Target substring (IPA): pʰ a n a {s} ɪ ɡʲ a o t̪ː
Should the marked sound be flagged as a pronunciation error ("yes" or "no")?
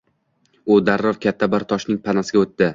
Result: no